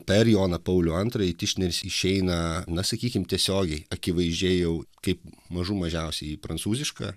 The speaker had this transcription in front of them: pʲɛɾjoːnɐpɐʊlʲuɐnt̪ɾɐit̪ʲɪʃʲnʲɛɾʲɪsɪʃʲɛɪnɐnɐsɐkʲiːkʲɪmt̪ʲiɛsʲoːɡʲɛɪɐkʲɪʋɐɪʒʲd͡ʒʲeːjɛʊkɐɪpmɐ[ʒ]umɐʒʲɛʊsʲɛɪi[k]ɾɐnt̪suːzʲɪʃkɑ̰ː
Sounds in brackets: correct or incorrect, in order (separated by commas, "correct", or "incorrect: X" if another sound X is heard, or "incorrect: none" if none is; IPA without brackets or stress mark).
correct, incorrect: p